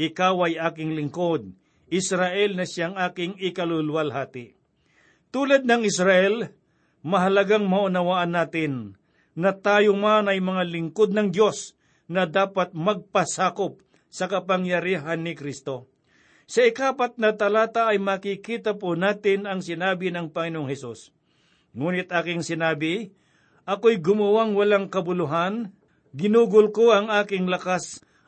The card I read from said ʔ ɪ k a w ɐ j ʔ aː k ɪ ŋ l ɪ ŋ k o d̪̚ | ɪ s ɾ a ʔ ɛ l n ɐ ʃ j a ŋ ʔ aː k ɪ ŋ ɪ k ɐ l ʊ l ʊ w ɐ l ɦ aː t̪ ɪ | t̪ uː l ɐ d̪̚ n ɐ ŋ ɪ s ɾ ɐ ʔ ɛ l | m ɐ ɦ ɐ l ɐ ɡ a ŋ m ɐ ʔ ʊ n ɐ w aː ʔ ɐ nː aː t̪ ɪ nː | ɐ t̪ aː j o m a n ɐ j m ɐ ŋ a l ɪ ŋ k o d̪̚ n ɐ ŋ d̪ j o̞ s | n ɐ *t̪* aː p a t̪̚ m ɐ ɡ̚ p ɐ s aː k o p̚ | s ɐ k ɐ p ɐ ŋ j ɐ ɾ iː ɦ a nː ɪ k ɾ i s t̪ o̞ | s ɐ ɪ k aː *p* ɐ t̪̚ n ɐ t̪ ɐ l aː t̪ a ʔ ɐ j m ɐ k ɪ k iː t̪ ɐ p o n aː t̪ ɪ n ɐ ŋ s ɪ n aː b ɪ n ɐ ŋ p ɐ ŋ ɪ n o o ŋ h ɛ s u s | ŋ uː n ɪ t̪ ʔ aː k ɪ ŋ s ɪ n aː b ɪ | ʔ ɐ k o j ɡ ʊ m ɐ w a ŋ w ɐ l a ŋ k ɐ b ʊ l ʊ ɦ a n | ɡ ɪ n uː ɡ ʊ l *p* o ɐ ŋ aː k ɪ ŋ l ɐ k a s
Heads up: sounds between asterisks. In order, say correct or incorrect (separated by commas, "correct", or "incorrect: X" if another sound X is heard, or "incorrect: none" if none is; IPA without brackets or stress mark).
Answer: incorrect: d̪, correct, incorrect: k